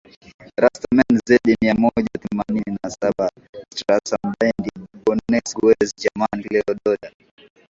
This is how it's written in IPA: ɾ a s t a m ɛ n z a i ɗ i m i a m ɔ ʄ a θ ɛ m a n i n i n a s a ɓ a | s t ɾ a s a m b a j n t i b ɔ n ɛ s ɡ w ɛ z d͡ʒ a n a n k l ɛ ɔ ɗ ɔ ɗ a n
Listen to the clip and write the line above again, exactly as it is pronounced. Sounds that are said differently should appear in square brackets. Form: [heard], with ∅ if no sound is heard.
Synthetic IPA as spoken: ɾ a s t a m ɛ n z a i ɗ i m i a m ɔ ʄ a θ ɛ m a n i n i n a s a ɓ a | s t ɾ a s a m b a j n [d] i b ɔ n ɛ s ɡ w ɛ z d͡ʒ a [m] a n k l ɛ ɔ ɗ ɔ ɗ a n